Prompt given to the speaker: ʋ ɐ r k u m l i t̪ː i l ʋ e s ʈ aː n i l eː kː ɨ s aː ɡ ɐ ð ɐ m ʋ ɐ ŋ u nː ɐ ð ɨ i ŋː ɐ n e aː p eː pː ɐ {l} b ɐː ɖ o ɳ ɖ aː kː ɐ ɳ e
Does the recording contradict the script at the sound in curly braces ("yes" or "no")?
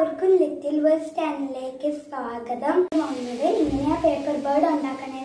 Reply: yes